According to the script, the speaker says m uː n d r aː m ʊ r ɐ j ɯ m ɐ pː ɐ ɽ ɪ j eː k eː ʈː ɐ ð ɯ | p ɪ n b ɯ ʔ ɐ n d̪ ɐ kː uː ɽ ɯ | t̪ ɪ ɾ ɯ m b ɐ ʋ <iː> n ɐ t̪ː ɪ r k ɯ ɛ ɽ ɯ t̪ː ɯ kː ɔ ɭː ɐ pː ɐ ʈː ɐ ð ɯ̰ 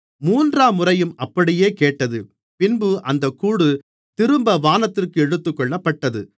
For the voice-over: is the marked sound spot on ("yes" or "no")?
no